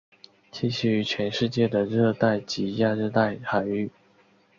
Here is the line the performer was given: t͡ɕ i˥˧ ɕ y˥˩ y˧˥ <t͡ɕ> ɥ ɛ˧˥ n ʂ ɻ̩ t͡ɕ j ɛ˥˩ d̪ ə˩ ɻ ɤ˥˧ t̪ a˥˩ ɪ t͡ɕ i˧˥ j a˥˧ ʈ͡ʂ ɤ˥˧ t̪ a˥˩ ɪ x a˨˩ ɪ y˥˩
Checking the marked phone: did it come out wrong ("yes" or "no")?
yes